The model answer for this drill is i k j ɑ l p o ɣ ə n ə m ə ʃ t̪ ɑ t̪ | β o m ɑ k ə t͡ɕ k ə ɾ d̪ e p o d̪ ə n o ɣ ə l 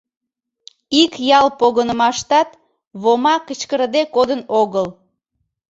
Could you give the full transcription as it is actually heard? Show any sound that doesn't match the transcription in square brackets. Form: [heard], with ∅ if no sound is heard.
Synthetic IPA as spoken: i k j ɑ l p o ɣ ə n ə m [ɑ] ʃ t̪ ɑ t̪ | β o m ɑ k ə t͡ɕ k ə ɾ d̪ e [k] o d̪ ə n o ɣ ə l